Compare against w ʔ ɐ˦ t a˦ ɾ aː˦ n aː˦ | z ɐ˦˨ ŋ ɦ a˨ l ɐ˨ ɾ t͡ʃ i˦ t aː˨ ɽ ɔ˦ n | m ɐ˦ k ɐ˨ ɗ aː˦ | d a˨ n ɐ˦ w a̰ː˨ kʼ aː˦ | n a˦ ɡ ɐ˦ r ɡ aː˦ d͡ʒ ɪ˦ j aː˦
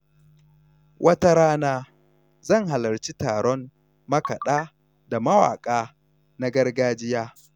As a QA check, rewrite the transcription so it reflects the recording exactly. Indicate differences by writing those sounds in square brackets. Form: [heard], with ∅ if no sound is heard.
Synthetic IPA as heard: w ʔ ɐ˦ t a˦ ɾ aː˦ n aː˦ | z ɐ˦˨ ŋ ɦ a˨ l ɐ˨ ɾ t͡ʃ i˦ t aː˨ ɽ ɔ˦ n | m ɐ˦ k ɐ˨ ɗ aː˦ | d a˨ [m] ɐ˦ w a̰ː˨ kʼ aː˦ | n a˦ ɡ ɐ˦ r ɡ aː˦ d͡ʒ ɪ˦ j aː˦